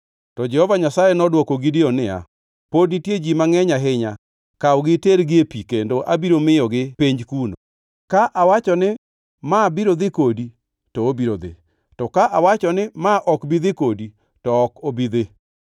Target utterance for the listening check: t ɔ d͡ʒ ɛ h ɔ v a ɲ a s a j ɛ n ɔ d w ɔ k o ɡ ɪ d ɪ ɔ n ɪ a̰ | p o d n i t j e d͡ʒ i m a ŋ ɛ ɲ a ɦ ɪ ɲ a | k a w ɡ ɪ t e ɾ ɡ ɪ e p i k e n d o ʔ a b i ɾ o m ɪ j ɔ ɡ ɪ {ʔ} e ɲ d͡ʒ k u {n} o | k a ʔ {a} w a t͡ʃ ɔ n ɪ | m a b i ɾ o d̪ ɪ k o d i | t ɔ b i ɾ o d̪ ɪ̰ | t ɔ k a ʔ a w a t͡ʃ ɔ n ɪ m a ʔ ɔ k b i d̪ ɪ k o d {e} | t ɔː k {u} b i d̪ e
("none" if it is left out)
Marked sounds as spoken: p, n, a, i, o

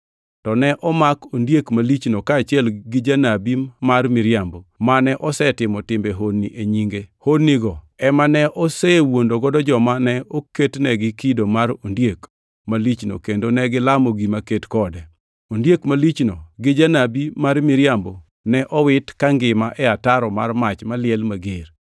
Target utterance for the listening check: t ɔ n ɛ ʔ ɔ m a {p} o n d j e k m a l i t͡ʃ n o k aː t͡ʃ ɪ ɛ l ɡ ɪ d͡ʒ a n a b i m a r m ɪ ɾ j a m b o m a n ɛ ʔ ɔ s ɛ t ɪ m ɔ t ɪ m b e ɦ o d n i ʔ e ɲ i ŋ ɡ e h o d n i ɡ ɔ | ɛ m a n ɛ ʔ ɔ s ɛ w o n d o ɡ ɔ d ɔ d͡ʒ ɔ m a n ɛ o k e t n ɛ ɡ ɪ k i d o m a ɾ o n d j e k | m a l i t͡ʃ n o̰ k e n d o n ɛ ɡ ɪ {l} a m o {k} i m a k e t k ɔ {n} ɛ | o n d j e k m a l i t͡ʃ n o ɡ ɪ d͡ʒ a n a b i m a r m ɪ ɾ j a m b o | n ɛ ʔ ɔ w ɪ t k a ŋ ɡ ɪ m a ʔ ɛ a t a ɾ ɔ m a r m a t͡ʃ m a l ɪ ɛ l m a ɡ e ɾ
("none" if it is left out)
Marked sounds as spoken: k, l, ɡ, d

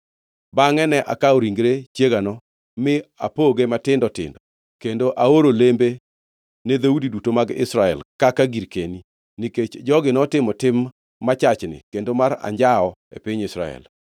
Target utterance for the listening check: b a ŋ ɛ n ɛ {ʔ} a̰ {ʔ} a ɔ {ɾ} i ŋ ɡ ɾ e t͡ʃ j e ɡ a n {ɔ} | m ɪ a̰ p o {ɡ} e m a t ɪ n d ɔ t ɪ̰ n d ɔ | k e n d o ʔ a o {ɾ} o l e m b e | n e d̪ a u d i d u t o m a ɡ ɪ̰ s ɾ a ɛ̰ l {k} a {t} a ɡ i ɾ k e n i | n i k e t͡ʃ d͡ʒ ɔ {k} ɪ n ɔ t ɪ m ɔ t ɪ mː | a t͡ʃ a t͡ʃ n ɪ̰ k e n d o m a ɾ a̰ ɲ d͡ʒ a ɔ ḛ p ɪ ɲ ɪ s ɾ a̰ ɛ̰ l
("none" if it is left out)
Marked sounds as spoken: ʔ, k, ɾ, ɔ, ɡ, ɾ, k, k, ɡ

